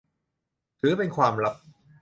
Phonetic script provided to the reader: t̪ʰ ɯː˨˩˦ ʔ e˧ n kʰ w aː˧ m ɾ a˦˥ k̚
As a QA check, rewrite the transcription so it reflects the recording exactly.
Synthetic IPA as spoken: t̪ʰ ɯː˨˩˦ p e˧ n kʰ w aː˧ m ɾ a˦˥ p̚